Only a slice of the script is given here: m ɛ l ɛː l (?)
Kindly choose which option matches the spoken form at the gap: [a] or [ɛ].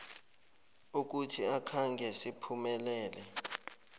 ɛ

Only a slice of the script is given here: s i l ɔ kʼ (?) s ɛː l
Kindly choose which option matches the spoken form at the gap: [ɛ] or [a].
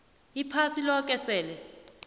ɛ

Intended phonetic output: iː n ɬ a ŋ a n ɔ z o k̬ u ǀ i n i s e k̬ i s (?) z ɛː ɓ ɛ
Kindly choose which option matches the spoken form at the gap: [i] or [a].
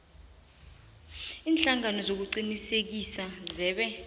a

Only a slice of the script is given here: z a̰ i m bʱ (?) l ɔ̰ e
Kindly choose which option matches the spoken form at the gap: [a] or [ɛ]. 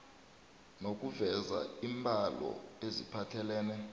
a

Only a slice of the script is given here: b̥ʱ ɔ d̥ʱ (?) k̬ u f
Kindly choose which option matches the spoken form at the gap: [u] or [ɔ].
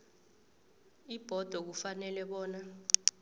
ɔ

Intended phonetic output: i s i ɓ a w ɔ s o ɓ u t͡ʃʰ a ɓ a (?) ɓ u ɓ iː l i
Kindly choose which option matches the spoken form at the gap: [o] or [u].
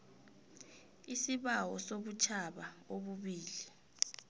o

